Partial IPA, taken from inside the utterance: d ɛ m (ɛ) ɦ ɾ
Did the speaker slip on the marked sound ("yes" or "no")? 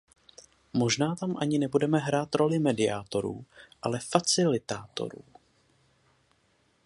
no